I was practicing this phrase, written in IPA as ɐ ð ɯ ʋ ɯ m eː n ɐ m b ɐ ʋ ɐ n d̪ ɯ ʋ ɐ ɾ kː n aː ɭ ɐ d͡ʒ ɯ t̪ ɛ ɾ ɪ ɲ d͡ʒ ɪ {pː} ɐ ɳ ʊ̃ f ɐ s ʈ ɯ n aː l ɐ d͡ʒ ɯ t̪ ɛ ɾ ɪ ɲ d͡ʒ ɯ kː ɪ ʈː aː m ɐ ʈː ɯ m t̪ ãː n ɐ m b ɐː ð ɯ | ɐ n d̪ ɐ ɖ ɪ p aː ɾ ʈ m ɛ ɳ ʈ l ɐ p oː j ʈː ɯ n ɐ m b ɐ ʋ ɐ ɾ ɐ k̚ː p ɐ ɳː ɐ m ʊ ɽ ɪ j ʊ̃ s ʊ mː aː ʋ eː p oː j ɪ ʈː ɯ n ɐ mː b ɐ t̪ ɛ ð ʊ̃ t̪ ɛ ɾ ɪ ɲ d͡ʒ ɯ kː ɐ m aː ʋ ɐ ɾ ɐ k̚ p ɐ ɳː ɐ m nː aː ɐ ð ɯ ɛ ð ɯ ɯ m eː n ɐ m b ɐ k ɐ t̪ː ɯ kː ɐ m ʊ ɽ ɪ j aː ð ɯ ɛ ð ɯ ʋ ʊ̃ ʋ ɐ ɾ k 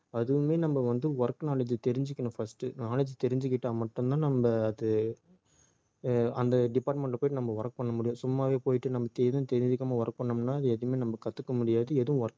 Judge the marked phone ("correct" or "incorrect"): incorrect